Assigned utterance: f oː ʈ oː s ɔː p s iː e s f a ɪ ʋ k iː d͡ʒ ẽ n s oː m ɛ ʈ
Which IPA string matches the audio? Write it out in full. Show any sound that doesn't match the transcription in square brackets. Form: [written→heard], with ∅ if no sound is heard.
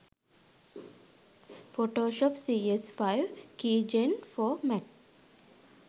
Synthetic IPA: f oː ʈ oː [s→ʃ] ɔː p s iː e s f a ɪ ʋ k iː d͡ʒ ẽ n [s→f] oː m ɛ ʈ